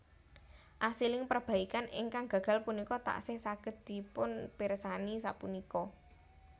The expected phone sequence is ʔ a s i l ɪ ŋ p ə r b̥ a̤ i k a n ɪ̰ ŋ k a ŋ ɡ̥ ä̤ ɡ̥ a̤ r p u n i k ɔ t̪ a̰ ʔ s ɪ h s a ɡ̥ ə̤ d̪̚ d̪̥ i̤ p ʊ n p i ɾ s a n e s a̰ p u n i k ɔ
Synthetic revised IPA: ʔ a s i l ɪ ŋ p ə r b̥ a̤ i k a n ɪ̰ ŋ k a ŋ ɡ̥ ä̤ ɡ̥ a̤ l p u n i k ɔ t̪ a̰ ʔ s ɪ h s a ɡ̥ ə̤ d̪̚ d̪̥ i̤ p ʊ n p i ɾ s a n i s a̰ p u n i k ɔ